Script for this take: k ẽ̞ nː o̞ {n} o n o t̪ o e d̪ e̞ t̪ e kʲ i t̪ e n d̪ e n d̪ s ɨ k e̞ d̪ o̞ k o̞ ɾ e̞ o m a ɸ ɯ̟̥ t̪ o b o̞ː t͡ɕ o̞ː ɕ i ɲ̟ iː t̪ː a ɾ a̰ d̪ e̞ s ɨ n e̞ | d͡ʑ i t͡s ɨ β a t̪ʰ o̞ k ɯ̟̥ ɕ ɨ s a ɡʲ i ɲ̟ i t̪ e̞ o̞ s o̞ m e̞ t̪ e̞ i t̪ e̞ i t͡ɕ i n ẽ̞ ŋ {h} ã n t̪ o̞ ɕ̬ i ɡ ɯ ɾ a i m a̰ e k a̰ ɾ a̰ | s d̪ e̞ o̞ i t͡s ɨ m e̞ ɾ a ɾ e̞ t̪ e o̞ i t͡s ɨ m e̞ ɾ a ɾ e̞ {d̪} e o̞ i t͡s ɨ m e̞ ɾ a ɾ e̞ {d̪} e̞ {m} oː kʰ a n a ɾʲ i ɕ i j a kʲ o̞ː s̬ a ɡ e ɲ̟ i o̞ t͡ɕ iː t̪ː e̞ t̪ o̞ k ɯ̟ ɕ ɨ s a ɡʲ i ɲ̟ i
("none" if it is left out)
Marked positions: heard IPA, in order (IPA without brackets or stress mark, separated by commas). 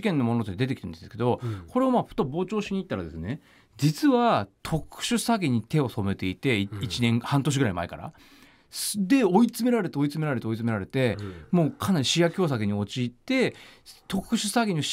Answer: m, h, t̪, t̪, m